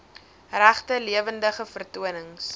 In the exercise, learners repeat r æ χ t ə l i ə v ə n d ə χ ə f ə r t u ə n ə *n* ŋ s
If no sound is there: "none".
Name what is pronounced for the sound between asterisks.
none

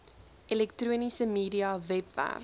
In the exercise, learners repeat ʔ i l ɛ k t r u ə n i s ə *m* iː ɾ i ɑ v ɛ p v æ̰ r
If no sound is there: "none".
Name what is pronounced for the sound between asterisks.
m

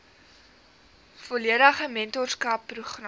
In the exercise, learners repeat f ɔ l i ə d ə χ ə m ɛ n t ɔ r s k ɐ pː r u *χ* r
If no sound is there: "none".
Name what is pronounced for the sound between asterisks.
χ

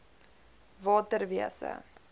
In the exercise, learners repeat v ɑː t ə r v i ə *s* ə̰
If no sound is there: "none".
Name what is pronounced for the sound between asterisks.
s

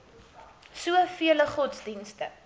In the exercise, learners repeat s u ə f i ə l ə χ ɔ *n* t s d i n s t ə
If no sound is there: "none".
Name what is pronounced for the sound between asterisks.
none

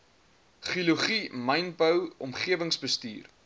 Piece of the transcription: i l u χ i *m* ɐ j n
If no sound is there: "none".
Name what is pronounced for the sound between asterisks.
m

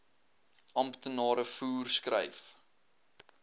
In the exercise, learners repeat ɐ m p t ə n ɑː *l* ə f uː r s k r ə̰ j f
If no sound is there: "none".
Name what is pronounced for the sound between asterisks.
ɾ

